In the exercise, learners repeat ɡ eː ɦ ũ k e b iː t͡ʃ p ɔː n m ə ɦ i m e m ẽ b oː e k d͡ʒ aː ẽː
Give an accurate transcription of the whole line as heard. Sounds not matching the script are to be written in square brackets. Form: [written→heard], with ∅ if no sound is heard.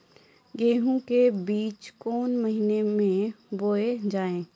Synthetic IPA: ɡ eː ɦ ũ k e b iː t͡ʃ [p→k] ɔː n m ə ɦ i [m→n] e m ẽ b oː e [k→∅] d͡ʒ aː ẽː

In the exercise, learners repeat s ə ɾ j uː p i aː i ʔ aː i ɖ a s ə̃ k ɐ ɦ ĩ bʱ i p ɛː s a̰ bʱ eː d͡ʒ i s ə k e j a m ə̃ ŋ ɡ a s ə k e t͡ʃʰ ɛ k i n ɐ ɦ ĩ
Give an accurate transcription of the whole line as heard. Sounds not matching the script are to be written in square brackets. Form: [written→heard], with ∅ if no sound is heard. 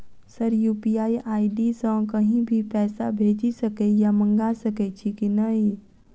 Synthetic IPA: s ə ɾ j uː p i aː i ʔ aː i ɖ [a→i] s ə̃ k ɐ ɦ ĩ bʱ i p ɛː s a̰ bʱ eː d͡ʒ i s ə k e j a m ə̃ ŋ ɡ a s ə k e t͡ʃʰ [ɛ→i] k i n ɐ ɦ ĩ

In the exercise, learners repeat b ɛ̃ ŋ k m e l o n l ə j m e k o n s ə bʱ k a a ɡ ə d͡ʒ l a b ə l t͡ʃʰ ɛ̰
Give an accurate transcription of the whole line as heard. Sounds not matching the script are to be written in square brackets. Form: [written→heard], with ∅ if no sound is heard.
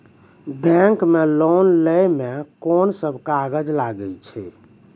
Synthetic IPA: b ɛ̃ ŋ k m e l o n l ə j m e k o n s ə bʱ k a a ɡ ə d͡ʒ l a [b→ɡ] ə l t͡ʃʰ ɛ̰

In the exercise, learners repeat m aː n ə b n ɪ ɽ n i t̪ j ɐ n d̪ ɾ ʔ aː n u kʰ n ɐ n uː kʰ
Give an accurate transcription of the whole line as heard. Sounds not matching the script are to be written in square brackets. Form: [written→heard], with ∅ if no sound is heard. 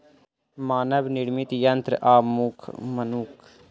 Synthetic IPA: m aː n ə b n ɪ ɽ [n→m] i t̪ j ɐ n [d̪→t̪] ɾ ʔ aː [n→m] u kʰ [n→m] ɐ n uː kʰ

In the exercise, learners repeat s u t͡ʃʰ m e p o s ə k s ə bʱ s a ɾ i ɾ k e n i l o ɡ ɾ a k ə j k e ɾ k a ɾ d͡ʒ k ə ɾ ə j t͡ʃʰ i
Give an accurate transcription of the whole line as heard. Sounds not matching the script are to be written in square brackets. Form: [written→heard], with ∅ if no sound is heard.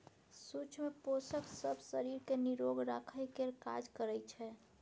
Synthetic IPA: s u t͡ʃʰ m e p o s ə k s ə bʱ s [a→ə] ɾ i ɾ k e n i [l→ɾ] o ɡ ɾ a [k→kʰ] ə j k e ɾ k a [ɾ→∅] d͡ʒ k ə ɾ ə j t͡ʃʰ [i→ɛ]

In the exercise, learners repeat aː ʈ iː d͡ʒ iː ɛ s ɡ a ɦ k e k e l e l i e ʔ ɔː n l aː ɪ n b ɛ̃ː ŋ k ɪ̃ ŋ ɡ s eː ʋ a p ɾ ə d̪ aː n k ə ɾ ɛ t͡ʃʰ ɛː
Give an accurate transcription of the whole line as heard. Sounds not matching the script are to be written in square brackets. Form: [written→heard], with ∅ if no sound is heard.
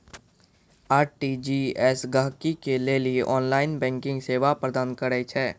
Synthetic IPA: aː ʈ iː d͡ʒ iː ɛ s ɡ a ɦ k [e→i] k e l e l i e ʔ ɔː n l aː ɪ n b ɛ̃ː ŋ k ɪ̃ ŋ ɡ s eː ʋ a p ɾ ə d̪ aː n k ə ɾ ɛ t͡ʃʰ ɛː

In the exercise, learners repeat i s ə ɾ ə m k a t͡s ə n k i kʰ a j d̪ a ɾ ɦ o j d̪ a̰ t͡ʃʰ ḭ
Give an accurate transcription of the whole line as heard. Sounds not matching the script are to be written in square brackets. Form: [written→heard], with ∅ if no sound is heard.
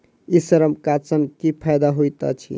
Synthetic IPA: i s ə ɾ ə m k a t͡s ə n k i [kʰ→pʰ] a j d̪ a [ɾ→∅] ɦ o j [d̪→t̪] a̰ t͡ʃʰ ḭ

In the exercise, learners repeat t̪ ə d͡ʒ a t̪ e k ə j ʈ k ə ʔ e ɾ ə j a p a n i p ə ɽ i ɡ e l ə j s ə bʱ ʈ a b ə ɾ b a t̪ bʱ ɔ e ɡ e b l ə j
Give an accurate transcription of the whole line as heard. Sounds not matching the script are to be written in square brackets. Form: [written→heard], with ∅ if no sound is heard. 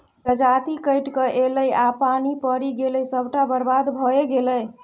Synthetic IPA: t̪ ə d͡ʒ a t̪ [e→i] k ə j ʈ k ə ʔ e [ɾ→l] ə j a p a n i p ə [ɽ→ɾ] i ɡ e l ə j s ə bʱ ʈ a b ə ɾ b a [t̪→d̪] bʱ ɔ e ɡ e [b→∅] l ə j

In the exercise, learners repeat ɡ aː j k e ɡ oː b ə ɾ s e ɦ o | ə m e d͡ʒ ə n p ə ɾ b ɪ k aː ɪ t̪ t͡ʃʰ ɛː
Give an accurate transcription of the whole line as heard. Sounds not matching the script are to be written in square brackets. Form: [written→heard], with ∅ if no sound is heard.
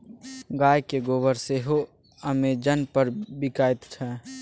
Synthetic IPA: ɡ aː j k e ɡ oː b ə ɾ s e ɦ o | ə m e d͡ʒ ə n p ə ɾ b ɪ k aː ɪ t̪ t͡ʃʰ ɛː

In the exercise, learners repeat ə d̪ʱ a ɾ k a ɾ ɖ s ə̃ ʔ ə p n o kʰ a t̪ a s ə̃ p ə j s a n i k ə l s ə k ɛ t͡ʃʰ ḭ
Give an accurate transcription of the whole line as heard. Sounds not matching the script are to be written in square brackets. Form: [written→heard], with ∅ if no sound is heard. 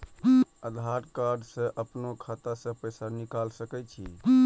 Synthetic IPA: ə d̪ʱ a ɾ k a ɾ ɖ s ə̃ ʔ ə p n o kʰ a t̪ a s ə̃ p ə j s a n i k [ə→a] l s ə k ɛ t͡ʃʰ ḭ

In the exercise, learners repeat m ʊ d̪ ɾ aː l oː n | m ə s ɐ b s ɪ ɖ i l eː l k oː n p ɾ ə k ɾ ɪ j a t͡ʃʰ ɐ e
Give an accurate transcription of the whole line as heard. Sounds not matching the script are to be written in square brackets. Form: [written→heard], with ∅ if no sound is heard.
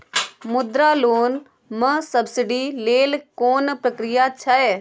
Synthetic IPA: m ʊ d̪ ɾ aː l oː n | m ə s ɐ b s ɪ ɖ i l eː l k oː n p ɾ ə k ɾ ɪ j a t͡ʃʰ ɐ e

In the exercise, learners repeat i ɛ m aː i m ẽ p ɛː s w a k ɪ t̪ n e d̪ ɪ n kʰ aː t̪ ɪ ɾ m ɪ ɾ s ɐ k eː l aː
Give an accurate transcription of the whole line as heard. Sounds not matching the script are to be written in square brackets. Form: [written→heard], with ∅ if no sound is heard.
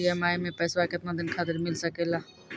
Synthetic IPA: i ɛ m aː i m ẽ p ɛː s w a k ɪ t̪ n [e→a] d̪ ɪ n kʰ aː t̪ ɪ ɾ m ɪ [ɾ→l] s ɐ k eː l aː

